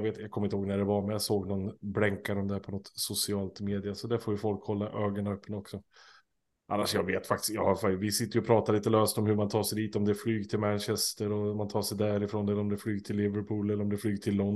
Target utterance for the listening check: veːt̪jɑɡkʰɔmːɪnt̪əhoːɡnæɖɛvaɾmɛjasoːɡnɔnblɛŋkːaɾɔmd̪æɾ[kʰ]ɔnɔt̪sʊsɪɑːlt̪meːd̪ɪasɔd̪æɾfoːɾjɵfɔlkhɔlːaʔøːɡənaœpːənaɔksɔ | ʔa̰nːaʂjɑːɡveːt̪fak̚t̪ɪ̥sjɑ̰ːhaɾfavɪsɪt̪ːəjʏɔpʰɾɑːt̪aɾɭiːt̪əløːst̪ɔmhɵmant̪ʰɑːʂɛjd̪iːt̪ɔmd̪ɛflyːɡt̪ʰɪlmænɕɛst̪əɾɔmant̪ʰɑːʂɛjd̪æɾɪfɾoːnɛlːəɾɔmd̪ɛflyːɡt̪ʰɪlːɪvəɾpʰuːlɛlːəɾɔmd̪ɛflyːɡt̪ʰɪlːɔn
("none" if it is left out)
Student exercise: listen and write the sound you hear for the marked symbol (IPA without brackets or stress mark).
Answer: pʰ